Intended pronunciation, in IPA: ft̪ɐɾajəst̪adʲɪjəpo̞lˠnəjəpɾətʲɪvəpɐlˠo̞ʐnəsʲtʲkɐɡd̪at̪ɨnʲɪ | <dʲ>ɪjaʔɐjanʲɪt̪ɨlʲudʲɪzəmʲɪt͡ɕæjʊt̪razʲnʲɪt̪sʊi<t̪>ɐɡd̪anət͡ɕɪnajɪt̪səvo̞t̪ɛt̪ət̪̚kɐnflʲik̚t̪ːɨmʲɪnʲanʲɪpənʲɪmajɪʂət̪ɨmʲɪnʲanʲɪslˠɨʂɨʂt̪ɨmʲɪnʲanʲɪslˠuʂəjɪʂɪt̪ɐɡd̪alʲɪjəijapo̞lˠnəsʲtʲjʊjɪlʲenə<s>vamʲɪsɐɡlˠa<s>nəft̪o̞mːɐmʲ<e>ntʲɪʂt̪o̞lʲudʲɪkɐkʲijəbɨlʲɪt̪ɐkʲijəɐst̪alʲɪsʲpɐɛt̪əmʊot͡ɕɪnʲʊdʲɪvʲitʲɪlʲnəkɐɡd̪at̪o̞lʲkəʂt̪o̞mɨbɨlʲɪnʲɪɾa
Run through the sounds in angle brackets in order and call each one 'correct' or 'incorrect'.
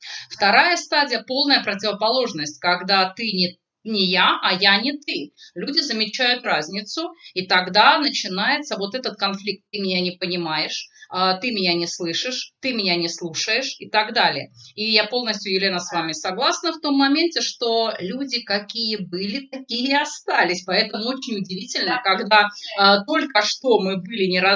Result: incorrect, correct, correct, correct, correct

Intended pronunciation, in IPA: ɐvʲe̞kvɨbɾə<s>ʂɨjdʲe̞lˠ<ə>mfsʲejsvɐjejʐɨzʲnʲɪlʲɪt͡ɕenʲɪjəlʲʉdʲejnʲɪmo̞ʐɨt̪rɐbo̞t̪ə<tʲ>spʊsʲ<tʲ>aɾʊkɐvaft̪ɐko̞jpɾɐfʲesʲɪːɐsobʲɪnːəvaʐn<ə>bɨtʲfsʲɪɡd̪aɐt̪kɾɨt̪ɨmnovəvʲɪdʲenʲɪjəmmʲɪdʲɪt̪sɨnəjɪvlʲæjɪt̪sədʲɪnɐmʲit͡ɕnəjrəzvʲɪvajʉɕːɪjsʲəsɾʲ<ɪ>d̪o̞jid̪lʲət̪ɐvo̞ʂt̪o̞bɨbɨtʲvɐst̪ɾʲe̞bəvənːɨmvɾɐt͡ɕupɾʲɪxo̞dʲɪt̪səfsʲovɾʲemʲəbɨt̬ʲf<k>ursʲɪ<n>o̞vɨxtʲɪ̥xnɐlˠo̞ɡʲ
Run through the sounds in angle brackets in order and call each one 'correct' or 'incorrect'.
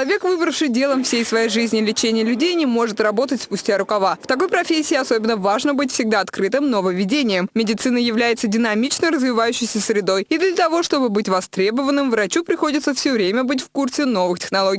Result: incorrect, correct, correct, correct, correct, correct, correct, correct

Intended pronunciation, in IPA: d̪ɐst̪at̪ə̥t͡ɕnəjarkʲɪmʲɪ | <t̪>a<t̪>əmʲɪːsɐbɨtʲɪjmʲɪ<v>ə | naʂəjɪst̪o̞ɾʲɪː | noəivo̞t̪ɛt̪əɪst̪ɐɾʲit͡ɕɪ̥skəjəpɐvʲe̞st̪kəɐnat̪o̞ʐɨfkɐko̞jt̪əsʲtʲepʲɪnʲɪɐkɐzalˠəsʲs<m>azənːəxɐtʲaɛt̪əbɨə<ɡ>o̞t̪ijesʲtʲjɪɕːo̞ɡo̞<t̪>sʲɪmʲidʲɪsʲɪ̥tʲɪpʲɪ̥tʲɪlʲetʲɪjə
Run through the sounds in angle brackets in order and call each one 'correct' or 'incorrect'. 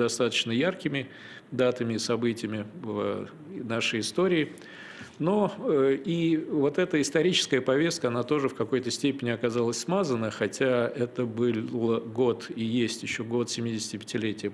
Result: incorrect, correct, correct, correct, correct, correct

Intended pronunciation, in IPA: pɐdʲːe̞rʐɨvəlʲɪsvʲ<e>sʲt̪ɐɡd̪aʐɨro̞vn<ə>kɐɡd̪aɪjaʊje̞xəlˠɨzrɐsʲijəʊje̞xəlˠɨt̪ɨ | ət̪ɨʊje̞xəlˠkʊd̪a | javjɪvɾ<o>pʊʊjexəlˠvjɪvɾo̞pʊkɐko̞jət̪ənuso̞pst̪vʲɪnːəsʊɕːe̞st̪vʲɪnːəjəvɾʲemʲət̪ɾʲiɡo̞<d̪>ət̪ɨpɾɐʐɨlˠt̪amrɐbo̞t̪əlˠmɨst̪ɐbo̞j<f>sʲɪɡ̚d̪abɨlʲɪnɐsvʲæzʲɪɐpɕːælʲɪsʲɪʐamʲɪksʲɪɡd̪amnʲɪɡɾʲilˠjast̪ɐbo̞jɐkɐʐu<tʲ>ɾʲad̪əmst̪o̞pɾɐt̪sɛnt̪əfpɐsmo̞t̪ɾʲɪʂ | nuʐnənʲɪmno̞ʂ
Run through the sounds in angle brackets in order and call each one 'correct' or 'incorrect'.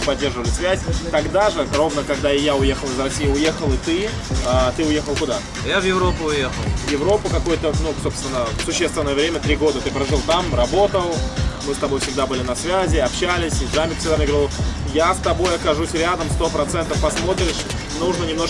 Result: incorrect, correct, correct, correct, correct, incorrect

